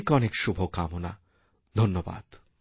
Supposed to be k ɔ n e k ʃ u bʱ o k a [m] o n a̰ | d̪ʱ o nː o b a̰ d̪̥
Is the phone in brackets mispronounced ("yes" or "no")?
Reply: no